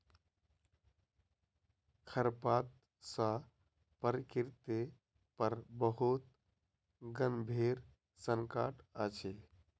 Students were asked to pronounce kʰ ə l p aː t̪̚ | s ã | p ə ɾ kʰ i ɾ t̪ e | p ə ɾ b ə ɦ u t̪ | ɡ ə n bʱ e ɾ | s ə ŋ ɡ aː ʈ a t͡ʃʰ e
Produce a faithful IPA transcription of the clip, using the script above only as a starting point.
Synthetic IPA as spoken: kʰ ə ɾ p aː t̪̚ | s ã | p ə ɾ k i ɾ t̪ e | p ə ɾ b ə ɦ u t̪ | ɡ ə n bʱ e ɾ | s ə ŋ k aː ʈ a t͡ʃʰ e